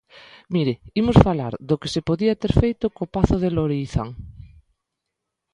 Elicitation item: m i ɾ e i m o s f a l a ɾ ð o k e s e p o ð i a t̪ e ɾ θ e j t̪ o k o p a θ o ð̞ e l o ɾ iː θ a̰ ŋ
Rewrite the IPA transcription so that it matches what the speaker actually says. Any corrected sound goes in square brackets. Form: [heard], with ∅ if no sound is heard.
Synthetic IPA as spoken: m i ɾ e i m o s f a l a ɾ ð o k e s e p o ð i a t̪ e ɾ [f] e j t̪ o k o p a θ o ð̞ e l o ɾ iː θ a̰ ŋ